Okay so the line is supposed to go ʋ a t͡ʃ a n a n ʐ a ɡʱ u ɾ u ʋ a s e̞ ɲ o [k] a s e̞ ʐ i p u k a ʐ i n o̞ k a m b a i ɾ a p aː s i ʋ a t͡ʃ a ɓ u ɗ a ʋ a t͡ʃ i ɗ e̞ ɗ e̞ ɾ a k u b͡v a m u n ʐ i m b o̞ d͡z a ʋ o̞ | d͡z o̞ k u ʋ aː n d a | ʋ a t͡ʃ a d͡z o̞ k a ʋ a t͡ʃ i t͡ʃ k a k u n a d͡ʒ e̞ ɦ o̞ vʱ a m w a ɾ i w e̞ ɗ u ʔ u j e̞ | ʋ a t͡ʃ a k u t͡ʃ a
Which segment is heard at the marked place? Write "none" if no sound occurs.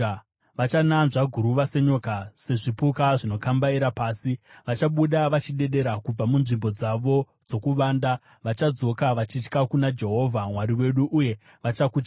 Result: k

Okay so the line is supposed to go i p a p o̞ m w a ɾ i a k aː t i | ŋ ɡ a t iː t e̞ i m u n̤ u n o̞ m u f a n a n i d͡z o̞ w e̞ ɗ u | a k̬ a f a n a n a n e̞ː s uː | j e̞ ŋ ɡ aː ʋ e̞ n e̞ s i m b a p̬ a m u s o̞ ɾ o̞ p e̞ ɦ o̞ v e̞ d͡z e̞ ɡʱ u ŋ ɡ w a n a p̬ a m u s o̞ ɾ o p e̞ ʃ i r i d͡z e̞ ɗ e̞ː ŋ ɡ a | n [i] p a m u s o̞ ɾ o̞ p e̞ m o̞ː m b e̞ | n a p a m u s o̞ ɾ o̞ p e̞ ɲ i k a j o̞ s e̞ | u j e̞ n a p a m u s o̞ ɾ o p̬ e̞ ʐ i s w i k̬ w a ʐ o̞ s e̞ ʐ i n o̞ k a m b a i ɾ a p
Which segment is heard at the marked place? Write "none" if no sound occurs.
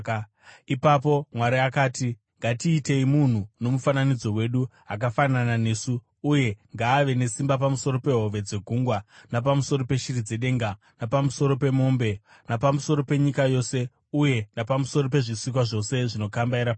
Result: a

